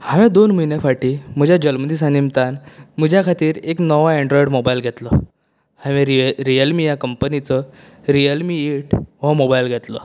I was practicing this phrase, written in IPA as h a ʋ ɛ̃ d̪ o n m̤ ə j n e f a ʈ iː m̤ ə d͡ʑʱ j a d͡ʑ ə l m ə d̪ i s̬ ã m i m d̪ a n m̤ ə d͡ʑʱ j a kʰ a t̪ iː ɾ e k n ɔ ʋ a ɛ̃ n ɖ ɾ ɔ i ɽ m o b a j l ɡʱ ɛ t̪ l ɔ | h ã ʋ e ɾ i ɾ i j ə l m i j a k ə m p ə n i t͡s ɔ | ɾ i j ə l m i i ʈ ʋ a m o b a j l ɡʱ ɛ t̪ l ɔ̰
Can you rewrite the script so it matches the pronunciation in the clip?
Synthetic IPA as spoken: h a ʋ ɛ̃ d̪ o n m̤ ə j n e f a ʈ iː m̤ ə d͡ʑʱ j a d͡ʑ ə l m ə d̪ i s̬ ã n i m t̪ a n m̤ ə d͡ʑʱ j a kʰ a t̪ iː ɾ e k n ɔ ʋ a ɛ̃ ɳ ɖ ɾ ɔ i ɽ m o b a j l ɡʱ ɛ t̪ l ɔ | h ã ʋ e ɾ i ɾ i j ə l m i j a k ə m p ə n i t͡s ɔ | ɾ i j ə l m i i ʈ ʋ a m o b a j l ɡʱ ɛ t̪ l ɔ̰